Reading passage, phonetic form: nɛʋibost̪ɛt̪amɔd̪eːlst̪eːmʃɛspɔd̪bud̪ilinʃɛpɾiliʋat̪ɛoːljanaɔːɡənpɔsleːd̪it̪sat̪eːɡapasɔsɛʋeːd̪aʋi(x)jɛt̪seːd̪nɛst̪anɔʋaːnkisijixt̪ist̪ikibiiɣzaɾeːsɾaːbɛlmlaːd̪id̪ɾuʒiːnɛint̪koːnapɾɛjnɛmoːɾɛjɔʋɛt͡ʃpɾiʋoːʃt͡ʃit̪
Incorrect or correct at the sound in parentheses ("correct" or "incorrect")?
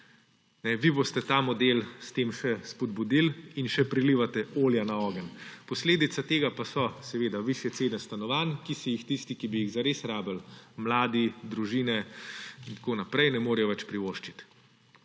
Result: incorrect